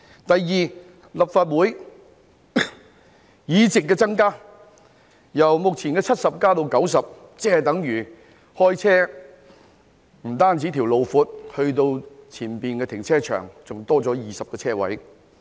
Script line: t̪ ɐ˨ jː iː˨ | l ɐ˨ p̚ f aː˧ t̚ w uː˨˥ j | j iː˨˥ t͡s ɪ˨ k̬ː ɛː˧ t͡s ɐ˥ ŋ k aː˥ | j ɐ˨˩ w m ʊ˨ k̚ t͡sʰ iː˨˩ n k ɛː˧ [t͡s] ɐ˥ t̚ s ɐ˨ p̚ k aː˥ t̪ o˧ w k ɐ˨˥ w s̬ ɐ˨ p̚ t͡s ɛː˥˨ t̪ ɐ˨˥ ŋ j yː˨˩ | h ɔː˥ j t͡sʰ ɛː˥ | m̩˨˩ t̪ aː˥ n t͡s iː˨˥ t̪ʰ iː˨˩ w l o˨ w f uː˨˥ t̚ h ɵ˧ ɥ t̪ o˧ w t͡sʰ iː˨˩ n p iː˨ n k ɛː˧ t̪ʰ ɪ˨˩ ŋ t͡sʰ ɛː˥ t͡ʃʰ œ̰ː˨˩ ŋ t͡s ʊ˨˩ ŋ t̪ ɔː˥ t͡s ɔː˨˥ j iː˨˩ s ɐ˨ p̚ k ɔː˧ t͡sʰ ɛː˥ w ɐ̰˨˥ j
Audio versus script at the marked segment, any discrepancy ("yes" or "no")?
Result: yes